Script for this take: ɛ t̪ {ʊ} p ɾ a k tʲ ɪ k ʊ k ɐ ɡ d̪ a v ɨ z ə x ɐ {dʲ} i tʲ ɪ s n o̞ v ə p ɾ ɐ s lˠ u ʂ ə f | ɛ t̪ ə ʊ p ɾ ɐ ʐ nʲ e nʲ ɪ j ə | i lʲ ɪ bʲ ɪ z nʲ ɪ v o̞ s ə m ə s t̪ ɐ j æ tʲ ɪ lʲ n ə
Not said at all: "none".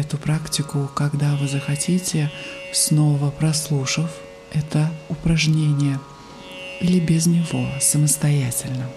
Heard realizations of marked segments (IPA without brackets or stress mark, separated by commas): ʊ, tʲ